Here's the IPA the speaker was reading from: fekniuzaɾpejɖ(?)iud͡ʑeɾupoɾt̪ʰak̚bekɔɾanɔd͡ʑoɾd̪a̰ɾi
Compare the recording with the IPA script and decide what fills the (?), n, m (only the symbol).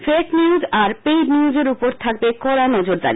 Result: n